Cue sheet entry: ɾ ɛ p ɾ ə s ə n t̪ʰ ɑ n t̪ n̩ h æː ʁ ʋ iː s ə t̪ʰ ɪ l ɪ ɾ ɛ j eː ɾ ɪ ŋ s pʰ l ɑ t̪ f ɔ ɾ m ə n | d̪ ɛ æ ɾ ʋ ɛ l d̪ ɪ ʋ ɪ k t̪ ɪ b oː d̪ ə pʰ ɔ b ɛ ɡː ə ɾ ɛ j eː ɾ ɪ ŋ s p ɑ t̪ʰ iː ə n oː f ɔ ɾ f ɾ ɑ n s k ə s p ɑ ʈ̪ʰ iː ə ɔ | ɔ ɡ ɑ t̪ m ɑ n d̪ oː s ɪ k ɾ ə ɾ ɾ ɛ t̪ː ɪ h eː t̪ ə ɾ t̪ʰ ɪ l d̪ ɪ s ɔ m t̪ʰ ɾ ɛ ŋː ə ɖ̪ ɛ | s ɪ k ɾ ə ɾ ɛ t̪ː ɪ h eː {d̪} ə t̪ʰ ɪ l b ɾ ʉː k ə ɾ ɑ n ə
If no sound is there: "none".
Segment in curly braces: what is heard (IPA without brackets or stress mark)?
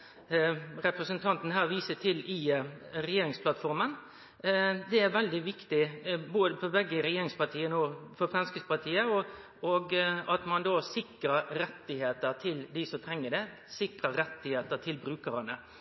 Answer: t̪